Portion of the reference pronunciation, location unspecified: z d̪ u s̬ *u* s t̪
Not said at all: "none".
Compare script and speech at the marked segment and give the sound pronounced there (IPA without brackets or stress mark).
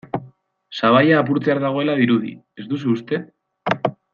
uː